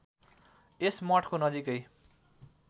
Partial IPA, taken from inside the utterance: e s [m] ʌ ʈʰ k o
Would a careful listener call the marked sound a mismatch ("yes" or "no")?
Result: no